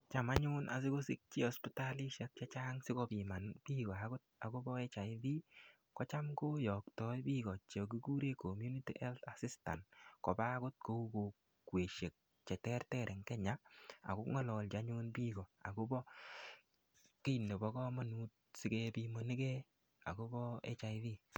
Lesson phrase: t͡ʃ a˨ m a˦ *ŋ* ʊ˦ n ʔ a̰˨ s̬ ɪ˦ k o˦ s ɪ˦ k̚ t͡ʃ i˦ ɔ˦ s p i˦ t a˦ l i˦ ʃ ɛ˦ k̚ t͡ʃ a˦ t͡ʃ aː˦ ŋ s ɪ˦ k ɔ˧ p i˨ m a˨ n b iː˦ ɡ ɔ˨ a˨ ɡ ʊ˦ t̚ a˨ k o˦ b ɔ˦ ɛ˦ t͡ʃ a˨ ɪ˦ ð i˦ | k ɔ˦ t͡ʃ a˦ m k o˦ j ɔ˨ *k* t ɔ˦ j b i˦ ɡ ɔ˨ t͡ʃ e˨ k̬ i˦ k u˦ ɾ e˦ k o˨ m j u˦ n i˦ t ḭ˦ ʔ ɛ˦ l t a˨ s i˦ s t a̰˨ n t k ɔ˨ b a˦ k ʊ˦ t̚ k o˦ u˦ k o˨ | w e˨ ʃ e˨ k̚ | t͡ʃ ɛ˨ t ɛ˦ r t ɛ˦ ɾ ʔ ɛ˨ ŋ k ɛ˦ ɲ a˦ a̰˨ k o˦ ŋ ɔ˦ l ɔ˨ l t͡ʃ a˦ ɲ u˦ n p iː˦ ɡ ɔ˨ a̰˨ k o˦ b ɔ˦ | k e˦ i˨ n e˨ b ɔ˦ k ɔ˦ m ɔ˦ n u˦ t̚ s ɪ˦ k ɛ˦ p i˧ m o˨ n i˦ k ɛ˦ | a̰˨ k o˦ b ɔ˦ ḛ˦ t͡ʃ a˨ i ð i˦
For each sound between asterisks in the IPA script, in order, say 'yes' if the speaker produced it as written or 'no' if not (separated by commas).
no, yes